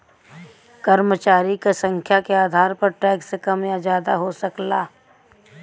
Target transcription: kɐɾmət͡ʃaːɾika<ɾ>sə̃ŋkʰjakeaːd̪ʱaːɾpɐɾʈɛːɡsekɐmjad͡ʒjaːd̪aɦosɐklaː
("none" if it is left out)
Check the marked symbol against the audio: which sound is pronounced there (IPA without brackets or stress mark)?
none